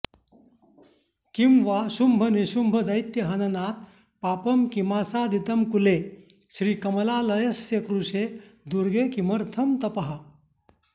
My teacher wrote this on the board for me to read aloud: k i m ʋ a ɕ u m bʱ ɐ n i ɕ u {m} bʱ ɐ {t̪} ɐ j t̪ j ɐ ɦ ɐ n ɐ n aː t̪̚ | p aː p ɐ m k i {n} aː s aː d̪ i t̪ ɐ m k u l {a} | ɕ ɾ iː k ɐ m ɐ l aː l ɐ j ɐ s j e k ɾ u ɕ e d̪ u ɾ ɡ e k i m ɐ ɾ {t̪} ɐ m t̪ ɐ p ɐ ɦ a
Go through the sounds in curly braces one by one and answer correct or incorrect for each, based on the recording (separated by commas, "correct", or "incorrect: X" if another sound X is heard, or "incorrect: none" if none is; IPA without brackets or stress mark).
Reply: correct, incorrect: d̪, incorrect: m, incorrect: e, incorrect: t̪ʰ